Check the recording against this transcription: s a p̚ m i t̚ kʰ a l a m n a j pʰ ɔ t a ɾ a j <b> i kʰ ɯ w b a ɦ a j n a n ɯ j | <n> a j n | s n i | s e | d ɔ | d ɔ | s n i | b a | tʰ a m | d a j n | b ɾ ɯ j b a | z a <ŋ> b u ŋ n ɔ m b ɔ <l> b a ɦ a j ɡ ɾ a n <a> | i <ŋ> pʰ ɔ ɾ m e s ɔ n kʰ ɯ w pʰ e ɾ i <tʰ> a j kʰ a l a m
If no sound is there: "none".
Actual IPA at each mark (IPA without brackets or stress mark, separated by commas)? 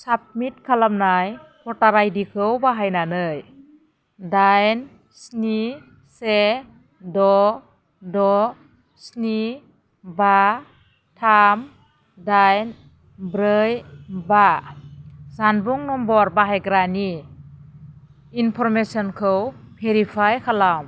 d, d, n, ɾ, i, n, pʰ